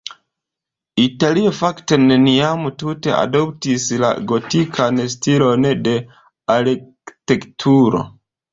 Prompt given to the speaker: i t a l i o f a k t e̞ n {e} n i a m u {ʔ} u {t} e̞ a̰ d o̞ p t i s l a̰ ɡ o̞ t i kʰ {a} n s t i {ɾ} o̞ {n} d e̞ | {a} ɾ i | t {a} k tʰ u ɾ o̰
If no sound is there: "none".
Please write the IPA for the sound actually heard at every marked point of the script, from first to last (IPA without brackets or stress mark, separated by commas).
e, t, t, a, l, n, a, e